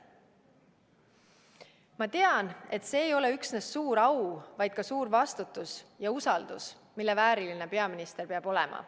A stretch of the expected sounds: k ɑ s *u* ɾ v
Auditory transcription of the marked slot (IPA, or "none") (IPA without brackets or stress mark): uː